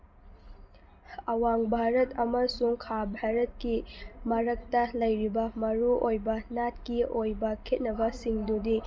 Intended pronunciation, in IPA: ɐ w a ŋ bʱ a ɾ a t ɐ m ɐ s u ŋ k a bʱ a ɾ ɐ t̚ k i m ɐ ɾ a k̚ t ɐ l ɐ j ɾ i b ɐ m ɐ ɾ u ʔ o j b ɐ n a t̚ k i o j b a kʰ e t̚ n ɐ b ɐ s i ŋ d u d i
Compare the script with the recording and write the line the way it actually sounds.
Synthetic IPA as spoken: ɐ w a ŋ bʱ a ɾ ɐ t ɐ m ɐ s u ŋ kʰ a bʱ a ɾ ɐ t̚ k i m ɐ ɾ ɐ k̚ t ɐ l ɐ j ɾ i b ɐ m ɐ ɾ u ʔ o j b ɐ n a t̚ k i o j b ɐ kʰ e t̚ n ɐ b ɐ s i ŋ d u d i